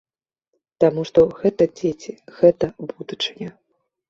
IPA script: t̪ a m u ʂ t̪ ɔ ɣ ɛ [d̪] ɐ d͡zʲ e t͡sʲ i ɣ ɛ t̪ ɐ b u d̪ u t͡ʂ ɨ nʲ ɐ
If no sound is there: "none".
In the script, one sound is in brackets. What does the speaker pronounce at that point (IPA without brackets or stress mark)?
t̪